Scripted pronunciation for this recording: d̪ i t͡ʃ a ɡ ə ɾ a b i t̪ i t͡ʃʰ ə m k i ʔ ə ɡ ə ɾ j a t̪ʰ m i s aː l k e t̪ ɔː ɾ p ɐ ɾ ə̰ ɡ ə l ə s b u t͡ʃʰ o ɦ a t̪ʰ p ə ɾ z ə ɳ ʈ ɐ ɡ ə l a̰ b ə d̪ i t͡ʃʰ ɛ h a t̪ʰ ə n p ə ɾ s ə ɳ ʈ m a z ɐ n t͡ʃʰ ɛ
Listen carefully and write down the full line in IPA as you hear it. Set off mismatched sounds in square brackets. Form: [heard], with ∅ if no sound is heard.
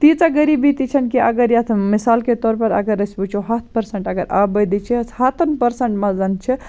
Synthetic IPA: [t̪] i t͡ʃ a ɡ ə ɾ [i] b i t̪ i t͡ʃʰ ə [n] k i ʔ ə ɡ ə ɾ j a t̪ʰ m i s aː l k e t̪ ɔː ɾ p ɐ ɾ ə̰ ɡ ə [ɾ] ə s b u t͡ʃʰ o ɦ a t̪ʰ p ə ɾ [s] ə ɳ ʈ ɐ ɡ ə [ɾ] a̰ b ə d̪ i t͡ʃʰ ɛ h a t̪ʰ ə n p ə ɾ s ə ɳ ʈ m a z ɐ n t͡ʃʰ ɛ